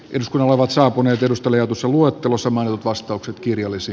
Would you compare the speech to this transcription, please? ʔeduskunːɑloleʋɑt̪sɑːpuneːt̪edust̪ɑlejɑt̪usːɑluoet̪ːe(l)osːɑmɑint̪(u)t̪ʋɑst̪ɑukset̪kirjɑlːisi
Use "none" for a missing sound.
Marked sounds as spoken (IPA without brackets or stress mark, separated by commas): l, u